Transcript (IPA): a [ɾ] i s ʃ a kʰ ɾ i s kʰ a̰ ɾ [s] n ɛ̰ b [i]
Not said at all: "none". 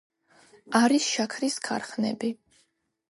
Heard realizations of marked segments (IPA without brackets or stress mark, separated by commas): ɾ, χ, i